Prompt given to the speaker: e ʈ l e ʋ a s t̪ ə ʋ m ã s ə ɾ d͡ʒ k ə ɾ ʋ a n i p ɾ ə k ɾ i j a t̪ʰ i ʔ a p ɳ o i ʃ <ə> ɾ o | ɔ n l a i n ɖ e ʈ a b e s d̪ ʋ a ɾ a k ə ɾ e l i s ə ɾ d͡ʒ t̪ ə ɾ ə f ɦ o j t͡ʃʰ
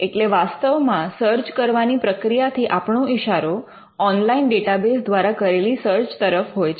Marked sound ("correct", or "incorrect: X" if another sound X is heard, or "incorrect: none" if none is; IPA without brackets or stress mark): incorrect: a